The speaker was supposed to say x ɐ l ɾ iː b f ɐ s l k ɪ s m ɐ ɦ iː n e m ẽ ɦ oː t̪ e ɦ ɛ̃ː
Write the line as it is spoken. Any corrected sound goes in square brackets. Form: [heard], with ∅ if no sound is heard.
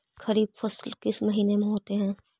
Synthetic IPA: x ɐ [∅] ɾ iː b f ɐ s l k ɪ s m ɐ ɦ iː n e m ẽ ɦ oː t̪ e ɦ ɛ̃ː

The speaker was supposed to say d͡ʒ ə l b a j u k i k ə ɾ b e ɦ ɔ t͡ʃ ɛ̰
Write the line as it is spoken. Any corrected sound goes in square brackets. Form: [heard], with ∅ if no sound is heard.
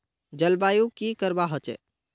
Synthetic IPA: d͡ʒ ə l b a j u k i k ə ɾ b [a] ɦ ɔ t͡ʃ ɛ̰

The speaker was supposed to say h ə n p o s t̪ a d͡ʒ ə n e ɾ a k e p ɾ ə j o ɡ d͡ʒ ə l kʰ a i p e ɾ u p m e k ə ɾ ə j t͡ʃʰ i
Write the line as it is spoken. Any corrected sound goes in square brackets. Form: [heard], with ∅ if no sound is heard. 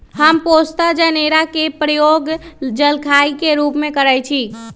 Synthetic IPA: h ə [m] p o s t̪ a d͡ʒ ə n e ɾ a k e p ɾ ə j o ɡ d͡ʒ ə l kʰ a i [k] e ɾ u p m e k ə ɾ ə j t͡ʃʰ i

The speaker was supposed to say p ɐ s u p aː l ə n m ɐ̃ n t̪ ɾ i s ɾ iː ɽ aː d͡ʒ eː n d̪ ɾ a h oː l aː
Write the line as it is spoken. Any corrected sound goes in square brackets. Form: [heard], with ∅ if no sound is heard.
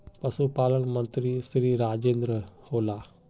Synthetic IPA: p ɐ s u p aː l ə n m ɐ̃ n t̪ ɾ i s ɾ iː [ɾ] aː d͡ʒ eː n d̪ ɾ [ə] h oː l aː

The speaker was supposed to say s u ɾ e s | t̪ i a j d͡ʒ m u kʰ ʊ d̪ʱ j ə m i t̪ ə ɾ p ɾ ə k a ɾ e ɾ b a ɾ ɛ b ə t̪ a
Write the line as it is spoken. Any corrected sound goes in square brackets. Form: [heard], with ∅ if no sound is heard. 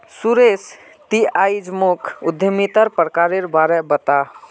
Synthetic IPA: s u ɾ e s | t̪ i a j d͡ʒ m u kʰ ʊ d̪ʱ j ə m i t̪ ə ɾ p ɾ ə k a ɾ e ɾ b a ɾ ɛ b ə t̪ a

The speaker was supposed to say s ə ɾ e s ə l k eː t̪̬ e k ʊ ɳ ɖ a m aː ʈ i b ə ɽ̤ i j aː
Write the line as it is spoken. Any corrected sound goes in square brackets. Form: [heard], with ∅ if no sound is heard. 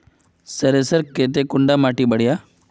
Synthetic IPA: s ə ɾ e s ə [ɾ] k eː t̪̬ e k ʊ ɳ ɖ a m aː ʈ i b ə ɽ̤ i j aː

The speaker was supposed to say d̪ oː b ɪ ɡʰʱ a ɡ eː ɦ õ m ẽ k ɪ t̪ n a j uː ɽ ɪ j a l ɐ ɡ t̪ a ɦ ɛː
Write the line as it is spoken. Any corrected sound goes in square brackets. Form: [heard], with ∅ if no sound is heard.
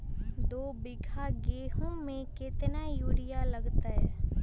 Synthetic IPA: d̪ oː b ɪ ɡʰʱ a ɡ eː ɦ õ m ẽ k ɪ t̪ n a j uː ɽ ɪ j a l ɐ ɡ t̪ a ɦ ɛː

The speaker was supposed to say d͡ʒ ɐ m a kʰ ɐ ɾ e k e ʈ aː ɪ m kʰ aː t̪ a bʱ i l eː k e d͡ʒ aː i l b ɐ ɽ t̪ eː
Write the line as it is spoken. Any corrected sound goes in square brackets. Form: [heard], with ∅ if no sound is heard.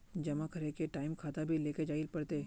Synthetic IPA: d͡ʒ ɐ m a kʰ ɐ ɾ e k e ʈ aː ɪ m kʰ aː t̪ a bʱ i l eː k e d͡ʒ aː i l [p] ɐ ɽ t̪ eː

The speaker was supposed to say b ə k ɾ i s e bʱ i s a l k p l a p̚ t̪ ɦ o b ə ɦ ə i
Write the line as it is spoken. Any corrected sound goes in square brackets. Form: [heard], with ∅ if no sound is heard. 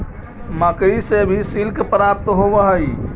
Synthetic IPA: [m] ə k ɾ i s e bʱ i s [i] l k p [ɾ] a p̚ t̪ ɦ o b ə ɦ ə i

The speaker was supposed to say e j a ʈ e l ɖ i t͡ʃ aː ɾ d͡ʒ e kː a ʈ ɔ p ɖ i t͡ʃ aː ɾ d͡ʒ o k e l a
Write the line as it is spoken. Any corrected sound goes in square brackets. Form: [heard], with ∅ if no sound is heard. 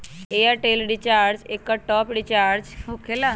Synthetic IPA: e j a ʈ e l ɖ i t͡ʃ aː ɾ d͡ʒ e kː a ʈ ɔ p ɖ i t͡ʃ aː ɾ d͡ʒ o k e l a

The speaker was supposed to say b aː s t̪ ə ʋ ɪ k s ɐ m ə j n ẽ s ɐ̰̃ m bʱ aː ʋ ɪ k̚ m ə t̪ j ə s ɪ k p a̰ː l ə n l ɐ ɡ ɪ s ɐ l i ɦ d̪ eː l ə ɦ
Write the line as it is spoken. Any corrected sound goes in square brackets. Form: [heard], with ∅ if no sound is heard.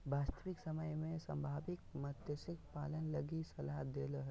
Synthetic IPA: b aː s t̪ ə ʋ ɪ k s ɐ m ə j [m] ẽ s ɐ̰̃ m bʱ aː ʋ ɪ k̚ m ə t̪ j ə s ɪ k p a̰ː l ə n l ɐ ɡ [i] s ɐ l [a] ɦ d̪ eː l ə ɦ

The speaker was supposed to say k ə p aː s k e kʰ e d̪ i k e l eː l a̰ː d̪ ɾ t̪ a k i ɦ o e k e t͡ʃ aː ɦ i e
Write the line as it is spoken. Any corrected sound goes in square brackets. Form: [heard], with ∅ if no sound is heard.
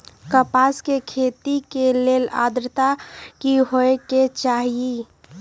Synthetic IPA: k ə p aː s k e kʰ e [t̪] i k e l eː l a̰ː d̪ ɾ t̪ a k i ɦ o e k e t͡ʃ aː ɦ i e

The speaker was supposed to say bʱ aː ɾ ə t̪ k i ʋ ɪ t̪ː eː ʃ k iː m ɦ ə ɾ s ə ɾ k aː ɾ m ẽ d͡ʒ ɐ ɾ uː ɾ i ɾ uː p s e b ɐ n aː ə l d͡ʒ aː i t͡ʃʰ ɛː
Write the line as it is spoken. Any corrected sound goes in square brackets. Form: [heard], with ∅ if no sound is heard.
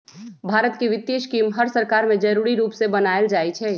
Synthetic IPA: bʱ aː ɾ ə t̪ k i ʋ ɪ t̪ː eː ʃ k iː m ɦ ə ɾ s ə ɾ k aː ɾ m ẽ d͡ʒ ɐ ɾ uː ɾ i ɾ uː p s e b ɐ n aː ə l d͡ʒ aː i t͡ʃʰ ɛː

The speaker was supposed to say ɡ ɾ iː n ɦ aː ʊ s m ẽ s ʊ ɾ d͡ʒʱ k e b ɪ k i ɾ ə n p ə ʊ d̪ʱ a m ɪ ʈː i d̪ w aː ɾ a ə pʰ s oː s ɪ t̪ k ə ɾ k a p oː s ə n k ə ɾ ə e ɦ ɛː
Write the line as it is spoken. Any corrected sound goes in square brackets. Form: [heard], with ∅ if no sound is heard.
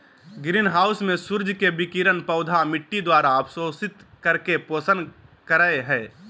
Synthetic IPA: ɡ ɾ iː n ɦ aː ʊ s m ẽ s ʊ ɾ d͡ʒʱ k e b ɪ k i ɾ ə n p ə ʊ d̪ʱ a m ɪ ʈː i d̪ w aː ɾ a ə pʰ s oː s ɪ t̪ k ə ɾ k [e] p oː s ə n k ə ɾ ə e ɦ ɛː

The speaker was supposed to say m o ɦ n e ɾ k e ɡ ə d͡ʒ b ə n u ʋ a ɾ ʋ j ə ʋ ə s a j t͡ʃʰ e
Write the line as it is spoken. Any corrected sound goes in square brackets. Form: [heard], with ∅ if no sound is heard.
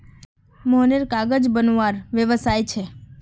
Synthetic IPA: m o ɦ n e ɾ k [a] ɡ ə d͡ʒ b ə n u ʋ a ɾ ʋ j ə ʋ ə s a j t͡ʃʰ e

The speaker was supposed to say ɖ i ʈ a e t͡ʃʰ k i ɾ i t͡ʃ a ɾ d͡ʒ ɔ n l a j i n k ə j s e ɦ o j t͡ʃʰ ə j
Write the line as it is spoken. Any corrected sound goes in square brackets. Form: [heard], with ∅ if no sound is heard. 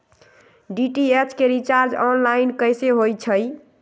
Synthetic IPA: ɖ i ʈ [i] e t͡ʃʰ k [e] ɾ i t͡ʃ a ɾ d͡ʒ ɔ n l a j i n k ə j s e ɦ o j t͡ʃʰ ə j

